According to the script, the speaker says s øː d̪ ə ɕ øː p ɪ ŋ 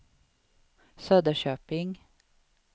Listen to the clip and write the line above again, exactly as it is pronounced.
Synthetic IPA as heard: s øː d̪ ə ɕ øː p ɪ ŋ